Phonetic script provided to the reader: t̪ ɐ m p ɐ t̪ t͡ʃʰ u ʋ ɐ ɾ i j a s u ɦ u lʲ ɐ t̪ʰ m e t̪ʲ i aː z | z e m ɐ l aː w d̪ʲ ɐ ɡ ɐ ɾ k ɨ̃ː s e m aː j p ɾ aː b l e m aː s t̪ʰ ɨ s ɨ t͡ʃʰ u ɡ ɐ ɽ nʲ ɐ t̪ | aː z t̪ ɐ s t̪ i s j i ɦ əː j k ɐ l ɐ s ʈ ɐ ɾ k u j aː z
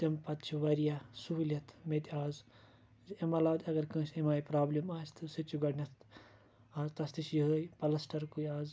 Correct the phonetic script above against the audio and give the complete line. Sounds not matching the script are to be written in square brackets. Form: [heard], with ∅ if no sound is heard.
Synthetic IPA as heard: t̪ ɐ m p ɐ t̪ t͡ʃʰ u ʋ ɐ ɾ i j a s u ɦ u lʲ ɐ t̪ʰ m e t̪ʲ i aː z | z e m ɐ l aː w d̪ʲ ɐ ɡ ɐ ɾ k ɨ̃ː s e m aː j p ɾ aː b l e m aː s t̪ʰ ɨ s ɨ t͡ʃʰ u ɡ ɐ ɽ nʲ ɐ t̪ | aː z t̪ ɐ s t̪ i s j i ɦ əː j [p] ɐ l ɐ s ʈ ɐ ɾ k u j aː z